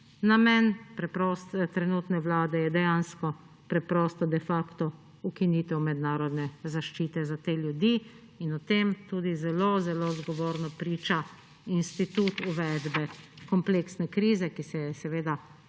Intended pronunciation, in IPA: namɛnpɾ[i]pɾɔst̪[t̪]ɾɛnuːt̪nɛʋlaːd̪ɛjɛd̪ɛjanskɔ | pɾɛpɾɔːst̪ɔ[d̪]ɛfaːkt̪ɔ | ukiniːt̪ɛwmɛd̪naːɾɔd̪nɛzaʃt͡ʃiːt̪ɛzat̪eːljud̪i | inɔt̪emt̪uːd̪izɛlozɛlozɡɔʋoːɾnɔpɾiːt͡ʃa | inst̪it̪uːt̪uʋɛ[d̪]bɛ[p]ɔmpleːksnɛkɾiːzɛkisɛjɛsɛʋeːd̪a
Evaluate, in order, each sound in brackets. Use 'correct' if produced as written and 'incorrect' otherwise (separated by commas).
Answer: incorrect, correct, correct, correct, incorrect